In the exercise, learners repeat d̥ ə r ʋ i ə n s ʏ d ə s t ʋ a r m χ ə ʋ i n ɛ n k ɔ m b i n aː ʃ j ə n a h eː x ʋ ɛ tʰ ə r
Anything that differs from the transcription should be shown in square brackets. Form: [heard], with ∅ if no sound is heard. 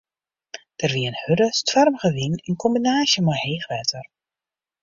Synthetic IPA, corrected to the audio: d̥ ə r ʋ i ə n [h] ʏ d ə s t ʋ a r m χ ə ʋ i n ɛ n k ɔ m b i n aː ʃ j ə [m] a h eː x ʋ ɛ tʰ ə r